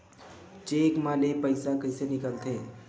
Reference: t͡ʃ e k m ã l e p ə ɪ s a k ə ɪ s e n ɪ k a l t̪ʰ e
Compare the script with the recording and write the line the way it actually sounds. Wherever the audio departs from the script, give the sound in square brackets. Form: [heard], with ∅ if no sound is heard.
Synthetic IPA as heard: t͡ʃ e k m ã l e p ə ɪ s a k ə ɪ s e n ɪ k [ə] l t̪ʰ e